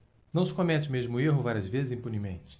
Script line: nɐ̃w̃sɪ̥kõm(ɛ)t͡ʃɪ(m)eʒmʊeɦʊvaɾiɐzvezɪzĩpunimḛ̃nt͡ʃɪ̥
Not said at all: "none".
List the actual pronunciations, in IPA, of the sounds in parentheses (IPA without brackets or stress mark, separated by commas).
ɛ, m